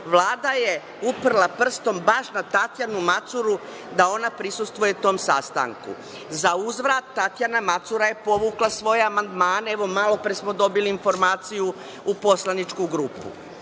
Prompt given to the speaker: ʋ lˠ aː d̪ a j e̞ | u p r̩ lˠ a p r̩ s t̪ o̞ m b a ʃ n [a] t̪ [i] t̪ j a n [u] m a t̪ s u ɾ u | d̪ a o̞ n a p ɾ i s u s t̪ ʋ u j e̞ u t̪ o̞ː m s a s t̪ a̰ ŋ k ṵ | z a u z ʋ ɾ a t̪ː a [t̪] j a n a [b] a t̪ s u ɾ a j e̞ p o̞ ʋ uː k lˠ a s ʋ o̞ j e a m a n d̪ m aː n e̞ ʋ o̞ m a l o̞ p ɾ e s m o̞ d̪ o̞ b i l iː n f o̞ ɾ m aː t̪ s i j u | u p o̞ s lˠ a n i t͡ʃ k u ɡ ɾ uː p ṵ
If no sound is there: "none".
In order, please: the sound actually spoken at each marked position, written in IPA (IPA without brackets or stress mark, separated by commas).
a, a, u, t̪, m